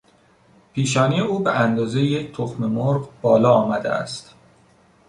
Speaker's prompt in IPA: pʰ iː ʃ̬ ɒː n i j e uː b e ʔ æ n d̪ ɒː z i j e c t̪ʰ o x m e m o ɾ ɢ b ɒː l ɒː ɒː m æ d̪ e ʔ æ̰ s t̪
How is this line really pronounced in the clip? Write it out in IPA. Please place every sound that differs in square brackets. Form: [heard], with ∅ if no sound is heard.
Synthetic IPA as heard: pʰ iː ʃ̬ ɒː n i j e uː b e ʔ æ n d̪ ɒː z [e] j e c t̪ʰ o x m e m o ɾ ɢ b ɒː l ɒː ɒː m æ d̪ e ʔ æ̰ s t̪